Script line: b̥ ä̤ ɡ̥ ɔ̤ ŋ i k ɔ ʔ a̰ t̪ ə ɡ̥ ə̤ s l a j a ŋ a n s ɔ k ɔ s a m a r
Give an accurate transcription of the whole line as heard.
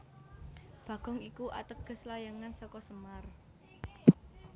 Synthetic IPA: b̥ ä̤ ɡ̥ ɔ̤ ŋ i k u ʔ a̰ t̪ ə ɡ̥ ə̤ s l a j a ŋ a n s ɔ k ɔ s ə m a r